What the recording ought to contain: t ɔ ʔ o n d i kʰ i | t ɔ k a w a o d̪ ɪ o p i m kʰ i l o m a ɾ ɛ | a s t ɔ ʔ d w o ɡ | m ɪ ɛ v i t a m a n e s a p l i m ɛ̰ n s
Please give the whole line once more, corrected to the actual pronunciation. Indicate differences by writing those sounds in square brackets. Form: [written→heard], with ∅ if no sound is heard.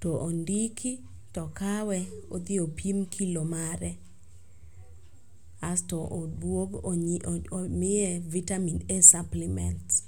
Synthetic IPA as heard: t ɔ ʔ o n d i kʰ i | t ɔ k a w [a→ɛ] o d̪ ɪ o p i m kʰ i l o m a ɾ ɛ | a s t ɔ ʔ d w o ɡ | m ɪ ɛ v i t a m [a→i] n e s a p l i m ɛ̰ n [s→t]